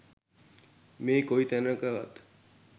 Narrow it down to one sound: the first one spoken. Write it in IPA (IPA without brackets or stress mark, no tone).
m